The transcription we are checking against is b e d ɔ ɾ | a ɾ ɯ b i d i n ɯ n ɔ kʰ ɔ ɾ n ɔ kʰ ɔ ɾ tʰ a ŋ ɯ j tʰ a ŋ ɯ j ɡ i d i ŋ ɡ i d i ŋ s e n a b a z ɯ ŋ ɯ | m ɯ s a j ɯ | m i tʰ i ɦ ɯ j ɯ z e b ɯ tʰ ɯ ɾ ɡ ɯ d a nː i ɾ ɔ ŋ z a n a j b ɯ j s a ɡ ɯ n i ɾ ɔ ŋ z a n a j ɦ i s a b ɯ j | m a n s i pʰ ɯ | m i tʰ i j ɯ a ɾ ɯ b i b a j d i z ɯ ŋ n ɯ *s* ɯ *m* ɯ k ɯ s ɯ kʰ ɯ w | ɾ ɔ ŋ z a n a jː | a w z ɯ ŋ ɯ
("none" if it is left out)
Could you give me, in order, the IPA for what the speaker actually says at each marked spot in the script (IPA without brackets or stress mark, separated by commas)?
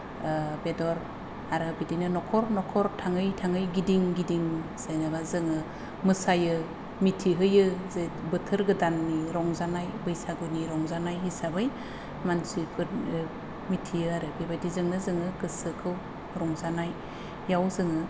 z, ŋ